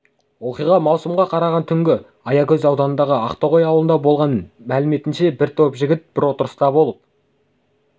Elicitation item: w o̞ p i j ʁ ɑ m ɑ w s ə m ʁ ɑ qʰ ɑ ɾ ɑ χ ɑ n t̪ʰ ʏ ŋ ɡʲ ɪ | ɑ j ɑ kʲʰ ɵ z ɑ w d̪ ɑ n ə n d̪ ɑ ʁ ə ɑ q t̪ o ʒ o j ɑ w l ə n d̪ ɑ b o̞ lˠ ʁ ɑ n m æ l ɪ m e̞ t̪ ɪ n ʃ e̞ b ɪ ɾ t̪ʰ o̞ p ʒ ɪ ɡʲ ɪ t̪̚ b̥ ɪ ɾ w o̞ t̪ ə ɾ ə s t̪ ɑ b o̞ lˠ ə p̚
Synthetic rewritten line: w o̞ q i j ʁ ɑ m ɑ w s ə m ʁ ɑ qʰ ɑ ɾ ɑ ʁ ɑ n t̪ʰ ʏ ŋ ɡʲ ɪ | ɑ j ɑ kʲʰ ɵ z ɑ w d̪ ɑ n ə n d̪ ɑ ʁ ə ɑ q t̪ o ʁ o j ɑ w l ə n d̪ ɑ b o̞ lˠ ʁ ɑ n m æ l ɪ m e̞ t̪ ɪ n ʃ e̞ b ɪ ɾ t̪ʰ o̞ p ʒ ɪ ɡʲ ɪ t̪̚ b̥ ɪ ɾ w o̞ t̪ ə ɾ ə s t̪ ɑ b o̞ lˠ ə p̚